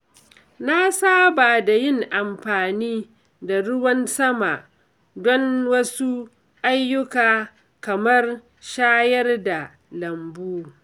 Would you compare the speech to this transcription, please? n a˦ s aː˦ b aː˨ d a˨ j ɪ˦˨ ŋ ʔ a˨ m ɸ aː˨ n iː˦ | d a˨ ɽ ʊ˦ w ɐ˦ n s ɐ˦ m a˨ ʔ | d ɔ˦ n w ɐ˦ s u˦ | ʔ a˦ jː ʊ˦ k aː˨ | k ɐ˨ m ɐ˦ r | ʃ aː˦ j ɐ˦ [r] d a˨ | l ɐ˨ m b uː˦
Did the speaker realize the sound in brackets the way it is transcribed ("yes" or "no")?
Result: yes